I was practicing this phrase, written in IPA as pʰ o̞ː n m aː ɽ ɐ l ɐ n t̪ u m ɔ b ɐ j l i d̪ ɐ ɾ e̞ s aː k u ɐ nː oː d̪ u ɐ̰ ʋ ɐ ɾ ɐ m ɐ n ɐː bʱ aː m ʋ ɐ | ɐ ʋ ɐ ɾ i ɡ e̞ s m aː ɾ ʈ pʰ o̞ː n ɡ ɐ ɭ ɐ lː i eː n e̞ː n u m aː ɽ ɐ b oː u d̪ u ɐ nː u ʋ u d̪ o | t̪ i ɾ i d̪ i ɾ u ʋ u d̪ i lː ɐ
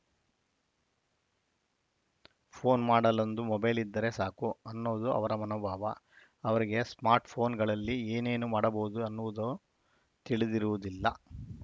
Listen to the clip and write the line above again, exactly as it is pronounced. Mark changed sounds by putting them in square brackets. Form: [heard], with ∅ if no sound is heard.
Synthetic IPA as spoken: pʰ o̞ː n m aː ɽ ɐ l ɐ n [d̪] u m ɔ b ɐ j l i [d̪ː] ɐ ɾ e̞ s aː k u ɐ nː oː d̪ u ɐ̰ ʋ ɐ ɾ ɐ m ɐ n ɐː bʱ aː [∅] ʋ ɐ | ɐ ʋ ɐ ɾ i ɡ e̞ s m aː ɾ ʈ pʰ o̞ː n ɡ ɐ ɭ ɐ lː i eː n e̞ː n u m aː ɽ ɐ b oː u d̪ u ɐ nː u ʋ u d̪ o | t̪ i [ɭ] i d̪ i ɾ u ʋ u d̪ i lː ɐ